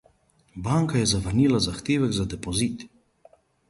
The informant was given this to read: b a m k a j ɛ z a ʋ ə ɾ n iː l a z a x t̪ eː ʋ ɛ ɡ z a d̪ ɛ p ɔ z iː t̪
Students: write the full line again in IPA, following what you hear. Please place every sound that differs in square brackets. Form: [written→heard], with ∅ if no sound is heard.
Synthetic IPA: b a [m→ŋ] k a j ɛ z a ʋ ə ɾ n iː l a z a x t̪ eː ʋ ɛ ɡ z a d̪ ɛ p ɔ z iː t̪